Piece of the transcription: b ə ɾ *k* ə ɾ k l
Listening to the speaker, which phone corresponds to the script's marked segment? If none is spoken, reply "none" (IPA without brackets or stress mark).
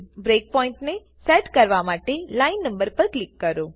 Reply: p